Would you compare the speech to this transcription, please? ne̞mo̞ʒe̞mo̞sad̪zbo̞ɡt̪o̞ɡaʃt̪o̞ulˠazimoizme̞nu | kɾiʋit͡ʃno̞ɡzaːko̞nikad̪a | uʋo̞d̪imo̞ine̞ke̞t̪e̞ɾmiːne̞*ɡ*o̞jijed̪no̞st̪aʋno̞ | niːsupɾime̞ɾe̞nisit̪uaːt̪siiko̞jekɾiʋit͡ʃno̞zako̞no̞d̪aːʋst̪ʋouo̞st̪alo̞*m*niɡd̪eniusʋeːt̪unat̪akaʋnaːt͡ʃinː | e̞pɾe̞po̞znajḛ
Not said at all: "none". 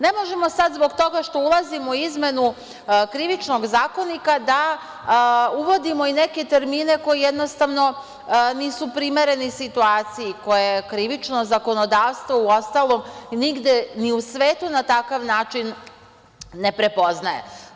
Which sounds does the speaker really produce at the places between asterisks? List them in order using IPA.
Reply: k, m

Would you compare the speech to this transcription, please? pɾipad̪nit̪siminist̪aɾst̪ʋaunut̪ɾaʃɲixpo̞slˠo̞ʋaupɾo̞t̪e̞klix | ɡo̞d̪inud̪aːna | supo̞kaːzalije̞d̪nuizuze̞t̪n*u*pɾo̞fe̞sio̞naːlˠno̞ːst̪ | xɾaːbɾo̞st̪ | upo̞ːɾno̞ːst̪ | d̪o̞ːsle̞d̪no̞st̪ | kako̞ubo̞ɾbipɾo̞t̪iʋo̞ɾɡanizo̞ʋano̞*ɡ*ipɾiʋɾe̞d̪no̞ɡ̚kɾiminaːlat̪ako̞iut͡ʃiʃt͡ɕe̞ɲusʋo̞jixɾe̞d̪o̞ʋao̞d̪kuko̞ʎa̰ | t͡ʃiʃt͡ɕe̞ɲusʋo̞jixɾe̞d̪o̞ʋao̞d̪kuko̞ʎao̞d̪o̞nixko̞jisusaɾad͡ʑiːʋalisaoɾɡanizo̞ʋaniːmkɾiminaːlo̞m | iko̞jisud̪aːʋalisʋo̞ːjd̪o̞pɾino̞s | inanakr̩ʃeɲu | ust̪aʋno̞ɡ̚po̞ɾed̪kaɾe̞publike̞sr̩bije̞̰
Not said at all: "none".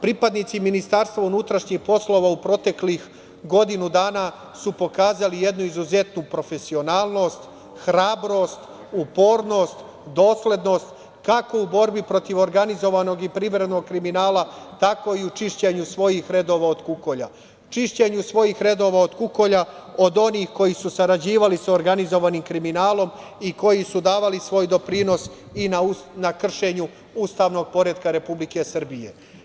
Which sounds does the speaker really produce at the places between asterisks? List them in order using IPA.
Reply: u, ɡ

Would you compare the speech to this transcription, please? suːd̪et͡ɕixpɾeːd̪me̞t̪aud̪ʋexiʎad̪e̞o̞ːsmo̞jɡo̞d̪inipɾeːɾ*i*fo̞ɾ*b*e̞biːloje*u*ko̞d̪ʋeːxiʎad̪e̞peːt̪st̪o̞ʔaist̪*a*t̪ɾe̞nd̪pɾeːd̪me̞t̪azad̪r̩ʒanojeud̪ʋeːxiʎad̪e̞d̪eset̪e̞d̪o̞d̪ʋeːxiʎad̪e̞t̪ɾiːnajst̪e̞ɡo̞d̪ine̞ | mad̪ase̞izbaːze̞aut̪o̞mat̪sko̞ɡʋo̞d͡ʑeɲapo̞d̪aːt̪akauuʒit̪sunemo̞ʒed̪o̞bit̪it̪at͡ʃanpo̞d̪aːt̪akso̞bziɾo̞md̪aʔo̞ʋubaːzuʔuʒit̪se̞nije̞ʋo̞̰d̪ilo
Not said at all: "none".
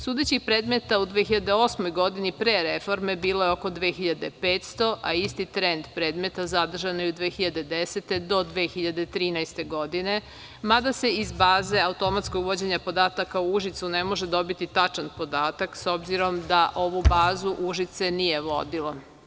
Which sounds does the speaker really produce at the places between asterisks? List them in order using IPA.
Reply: e, m, o, i

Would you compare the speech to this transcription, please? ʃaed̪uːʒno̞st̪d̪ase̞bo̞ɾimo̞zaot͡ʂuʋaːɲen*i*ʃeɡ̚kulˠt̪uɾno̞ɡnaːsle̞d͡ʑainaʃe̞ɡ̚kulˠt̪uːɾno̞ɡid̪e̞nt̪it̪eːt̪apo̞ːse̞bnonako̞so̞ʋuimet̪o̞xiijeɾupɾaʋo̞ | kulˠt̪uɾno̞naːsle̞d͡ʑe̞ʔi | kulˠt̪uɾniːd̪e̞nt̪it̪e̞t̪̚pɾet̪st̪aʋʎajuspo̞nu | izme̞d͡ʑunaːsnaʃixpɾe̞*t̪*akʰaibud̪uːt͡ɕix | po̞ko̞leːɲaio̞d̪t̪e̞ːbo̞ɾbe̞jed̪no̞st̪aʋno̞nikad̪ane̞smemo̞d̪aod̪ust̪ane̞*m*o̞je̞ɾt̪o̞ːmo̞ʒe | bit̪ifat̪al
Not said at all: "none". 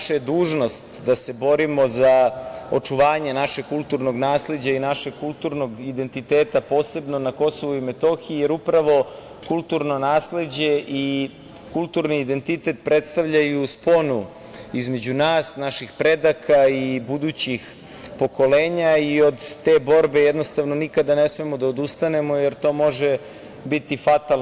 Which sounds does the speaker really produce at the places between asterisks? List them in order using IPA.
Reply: a, d̪, m

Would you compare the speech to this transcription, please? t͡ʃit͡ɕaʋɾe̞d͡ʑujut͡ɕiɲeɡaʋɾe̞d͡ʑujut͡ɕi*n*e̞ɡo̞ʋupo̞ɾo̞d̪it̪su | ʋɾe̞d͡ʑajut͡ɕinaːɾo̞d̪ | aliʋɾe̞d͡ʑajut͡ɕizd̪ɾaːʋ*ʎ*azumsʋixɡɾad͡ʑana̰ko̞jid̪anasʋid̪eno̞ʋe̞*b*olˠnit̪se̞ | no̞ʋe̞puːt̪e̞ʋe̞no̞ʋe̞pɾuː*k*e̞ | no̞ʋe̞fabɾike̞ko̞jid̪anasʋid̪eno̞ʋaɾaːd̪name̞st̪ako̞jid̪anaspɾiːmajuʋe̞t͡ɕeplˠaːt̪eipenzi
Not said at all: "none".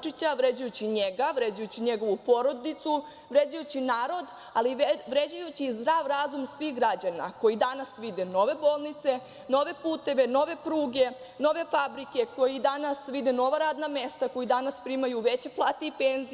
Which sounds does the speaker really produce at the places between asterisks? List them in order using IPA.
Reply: ɲ, ɾ, b, ɡ

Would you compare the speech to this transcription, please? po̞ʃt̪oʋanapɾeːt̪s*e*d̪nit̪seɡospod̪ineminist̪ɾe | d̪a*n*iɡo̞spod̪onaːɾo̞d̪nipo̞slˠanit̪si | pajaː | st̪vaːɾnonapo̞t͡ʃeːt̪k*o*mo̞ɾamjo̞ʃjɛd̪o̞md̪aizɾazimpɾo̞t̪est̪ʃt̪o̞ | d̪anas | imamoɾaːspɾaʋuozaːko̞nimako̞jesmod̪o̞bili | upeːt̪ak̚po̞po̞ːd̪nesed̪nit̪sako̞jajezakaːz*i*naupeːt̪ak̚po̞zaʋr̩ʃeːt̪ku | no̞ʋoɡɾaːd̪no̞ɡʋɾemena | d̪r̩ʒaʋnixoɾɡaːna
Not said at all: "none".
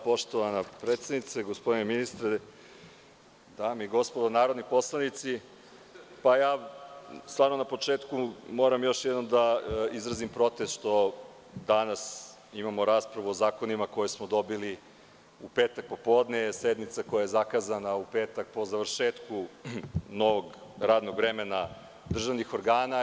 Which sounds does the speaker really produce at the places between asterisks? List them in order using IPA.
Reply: e, m, u, a

